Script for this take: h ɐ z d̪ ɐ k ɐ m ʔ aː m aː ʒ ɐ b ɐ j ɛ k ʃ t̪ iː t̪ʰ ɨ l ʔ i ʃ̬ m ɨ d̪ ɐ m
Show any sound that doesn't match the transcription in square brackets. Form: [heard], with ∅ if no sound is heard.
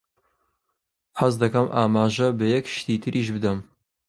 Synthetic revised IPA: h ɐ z d̪ ɐ k ɐ m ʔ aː m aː ʒ ɐ b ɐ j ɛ k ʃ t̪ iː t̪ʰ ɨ [ɾ] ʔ i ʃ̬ [b] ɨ d̪ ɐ m